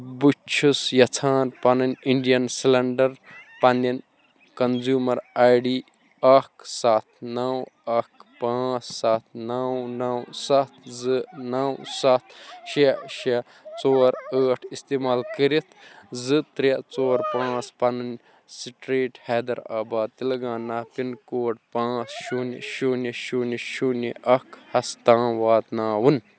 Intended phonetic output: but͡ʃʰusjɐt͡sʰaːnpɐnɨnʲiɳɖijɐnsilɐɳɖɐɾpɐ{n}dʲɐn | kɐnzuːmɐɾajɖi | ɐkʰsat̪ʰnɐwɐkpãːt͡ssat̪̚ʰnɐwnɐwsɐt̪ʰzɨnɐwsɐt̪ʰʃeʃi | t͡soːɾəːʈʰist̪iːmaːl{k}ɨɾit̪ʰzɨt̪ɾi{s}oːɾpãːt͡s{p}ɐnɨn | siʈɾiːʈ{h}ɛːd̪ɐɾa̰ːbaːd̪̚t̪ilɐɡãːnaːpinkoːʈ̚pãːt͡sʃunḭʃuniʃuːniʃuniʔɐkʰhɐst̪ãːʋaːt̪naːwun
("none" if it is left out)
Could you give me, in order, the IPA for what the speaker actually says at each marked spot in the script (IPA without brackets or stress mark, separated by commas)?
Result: n, k, t͡s, p, h